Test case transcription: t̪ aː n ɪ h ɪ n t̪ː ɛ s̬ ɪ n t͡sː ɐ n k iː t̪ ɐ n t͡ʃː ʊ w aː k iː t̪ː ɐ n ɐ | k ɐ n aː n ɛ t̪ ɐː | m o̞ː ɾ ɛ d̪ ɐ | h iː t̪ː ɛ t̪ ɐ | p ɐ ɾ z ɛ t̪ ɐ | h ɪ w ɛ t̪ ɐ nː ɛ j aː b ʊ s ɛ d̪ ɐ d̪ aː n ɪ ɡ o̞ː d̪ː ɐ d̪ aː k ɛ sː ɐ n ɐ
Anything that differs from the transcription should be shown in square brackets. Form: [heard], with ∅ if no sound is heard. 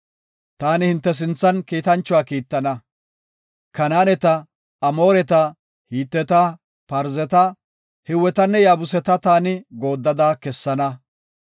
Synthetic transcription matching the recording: t̪ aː n ɪ h ɪ n t̪ː ɛ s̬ ɪ n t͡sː ɐ n k iː t̪ ɐ n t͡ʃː ʊ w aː k iː t̪ː ɐ n ɐ | k ɐ n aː n ɛ t̪ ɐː | m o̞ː ɾ ɛ [t̪] ɐ | h iː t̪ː ɛ t̪ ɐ | p ɐ ɾ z ɛ t̪ ɐ | h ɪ w ɛ t̪ ɐ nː ɛ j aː b ʊ s ɛ [t̪] ɐ [t̪] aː n ɪ ɡ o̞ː d̪ː ɐ d̪ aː k ɛ sː ɐ n ɐ